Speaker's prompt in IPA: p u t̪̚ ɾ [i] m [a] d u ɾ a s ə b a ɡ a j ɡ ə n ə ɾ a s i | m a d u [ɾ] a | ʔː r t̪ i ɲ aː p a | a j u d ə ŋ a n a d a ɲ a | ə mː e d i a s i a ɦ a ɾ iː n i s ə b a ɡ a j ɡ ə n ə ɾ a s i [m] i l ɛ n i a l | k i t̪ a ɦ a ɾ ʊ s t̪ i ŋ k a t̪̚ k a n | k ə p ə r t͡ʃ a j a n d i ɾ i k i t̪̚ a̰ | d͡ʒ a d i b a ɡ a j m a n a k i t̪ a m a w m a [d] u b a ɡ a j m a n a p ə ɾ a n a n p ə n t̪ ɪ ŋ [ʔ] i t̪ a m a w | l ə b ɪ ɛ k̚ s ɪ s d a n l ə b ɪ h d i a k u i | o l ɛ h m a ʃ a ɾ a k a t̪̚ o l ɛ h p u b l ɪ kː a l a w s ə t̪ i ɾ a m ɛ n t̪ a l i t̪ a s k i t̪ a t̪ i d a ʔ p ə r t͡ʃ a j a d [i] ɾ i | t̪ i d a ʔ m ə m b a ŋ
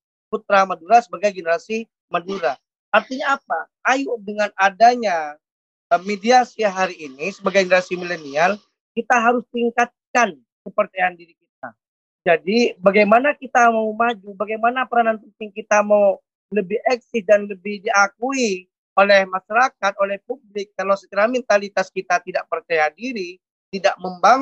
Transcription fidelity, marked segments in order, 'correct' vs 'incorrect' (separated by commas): incorrect, correct, correct, correct, incorrect, incorrect, correct